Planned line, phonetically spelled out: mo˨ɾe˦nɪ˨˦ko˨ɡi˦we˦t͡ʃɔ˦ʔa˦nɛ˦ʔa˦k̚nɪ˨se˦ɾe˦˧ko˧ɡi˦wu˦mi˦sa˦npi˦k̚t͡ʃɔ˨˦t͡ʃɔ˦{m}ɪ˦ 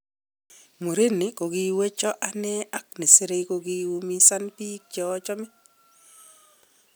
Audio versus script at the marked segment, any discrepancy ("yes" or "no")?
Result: no